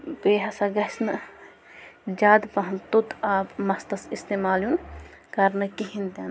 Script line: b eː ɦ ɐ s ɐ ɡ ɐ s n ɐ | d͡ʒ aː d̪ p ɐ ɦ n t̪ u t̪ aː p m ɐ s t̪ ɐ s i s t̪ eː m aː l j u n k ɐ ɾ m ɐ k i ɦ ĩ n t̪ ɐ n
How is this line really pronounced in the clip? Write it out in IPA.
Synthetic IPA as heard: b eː ɦ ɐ s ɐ ɡ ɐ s n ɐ | d͡ʒ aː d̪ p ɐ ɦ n t̪ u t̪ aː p m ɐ s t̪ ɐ s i s t̪ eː m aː l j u n k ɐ ɾ n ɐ k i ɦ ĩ n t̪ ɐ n